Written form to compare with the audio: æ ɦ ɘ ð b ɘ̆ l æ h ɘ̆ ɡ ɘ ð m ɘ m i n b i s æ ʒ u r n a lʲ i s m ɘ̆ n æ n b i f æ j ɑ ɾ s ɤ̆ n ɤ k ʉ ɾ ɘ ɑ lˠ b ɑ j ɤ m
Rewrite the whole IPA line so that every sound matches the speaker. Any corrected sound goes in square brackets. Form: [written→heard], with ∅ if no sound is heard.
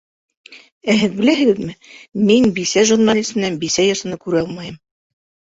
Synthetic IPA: æ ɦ ɘ ð b ɘ̆ l æ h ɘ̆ ɡ ɘ ð m ɘ m i n b i s æ ʒ u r n a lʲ i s m ɘ̆ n æ n b i [f→s] æ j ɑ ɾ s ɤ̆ n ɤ k ʉ ɾ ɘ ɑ lˠ [b→m] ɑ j ɤ m

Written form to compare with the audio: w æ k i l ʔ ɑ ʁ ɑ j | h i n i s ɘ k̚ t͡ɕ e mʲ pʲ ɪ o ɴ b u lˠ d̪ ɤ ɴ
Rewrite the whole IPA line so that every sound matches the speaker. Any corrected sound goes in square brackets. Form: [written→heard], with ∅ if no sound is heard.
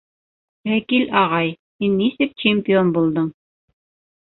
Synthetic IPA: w æ k i l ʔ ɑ ʁ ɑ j | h i [n→nː] i s ɘ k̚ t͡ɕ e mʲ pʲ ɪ o [ɴ→n] b u lˠ d̪ ɤ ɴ

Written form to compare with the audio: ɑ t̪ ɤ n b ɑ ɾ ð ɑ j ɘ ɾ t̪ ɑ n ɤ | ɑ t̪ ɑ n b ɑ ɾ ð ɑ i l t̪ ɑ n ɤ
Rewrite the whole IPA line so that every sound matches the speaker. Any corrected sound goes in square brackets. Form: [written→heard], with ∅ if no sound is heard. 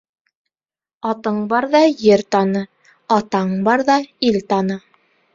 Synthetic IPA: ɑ t̪ ɤ [n→ɴ] b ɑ ɾ ð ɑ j ɘ ɾ t̪ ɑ n ɤ | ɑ t̪ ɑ [n→ɴ] b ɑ ɾ ð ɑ i l t̪ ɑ n ɤ

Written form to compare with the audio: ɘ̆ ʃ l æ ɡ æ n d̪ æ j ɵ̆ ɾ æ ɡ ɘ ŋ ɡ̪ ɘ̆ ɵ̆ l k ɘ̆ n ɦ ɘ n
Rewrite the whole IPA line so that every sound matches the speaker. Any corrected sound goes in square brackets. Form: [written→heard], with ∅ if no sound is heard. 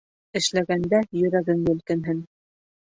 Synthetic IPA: ɘ̆ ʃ l æ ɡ æ n d̪ æ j ɵ̆ ɾ æ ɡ ɘ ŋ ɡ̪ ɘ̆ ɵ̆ l k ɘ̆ n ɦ ɘ n

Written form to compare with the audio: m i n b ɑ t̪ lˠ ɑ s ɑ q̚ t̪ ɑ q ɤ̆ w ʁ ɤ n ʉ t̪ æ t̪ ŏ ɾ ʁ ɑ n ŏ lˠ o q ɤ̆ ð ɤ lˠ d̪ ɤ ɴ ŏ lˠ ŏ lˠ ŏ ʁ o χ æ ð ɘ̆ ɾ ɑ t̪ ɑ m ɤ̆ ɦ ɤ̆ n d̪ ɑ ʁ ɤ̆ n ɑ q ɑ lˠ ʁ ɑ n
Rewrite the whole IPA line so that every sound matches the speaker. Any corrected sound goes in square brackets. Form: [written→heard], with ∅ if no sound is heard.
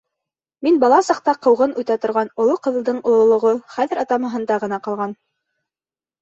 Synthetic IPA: m i n b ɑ [t̪→∅] lˠ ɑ s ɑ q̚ t̪ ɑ q ɤ̆ w ʁ ɤ n ʉ t̪ æ t̪ ŏ ɾ ʁ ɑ n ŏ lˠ o q ɤ̆ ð ɤ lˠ d̪ ɤ ɴ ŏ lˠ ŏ lˠ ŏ ʁ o χ æ ð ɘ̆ ɾ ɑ t̪ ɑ m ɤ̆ ɦ ɤ̆ n d̪ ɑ ʁ ɤ̆ n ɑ q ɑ lˠ ʁ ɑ n

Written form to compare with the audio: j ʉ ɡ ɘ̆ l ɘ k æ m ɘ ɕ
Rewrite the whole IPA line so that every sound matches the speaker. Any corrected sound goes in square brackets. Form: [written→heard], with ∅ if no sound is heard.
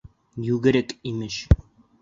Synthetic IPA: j ʉ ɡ ɘ̆ [l→ɾ] ɘ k [æ→i] m ɘ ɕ

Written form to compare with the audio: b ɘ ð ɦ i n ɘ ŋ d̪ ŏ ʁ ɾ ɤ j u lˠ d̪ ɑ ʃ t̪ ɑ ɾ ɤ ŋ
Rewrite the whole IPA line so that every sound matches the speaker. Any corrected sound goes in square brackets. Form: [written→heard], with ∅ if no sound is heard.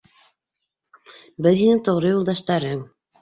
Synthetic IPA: b ɘ ð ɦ i n ɘ ŋ [d̪→t̪] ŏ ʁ ɾ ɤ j u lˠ d̪ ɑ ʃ t̪ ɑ ɾ ɤ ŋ

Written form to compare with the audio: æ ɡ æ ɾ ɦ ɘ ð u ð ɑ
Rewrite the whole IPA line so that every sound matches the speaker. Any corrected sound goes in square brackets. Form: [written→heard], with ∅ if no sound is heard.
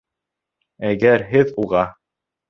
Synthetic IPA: æ ɡ æ ɾ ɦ ɘ ð u [ð→ʁ] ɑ

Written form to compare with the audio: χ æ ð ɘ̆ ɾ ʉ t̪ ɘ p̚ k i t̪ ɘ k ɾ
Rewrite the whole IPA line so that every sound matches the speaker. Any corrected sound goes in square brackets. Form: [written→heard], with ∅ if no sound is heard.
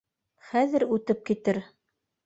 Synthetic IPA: χ æ ð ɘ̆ ɾ ʉ t̪ ɘ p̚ k i t̪ ɘ [k→∅] ɾ

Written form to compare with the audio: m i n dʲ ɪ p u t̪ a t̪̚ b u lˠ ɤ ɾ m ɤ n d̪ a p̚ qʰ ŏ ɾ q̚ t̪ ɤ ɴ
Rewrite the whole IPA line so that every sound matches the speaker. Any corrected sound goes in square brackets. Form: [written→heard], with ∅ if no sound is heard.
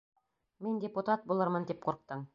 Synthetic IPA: m i n dʲ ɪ p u t̪ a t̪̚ b u lˠ ɤ ɾ m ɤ n d̪ [a→i] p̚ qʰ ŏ ɾ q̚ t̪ ɤ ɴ

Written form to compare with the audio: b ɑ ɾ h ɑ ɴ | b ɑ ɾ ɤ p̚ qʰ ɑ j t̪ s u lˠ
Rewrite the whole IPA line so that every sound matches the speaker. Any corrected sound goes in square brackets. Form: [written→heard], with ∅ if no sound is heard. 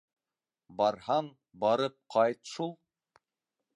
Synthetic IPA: b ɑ ɾ h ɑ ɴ | b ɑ ɾ ɤ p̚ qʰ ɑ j t̪ [s→ʃ] u lˠ

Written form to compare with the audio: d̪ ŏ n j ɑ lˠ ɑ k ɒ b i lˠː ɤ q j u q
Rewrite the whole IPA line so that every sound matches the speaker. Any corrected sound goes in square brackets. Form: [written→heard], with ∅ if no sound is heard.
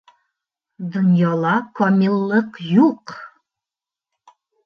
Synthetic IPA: d̪ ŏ n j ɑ lˠ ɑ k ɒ [b→m] i lˠː ɤ q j u q

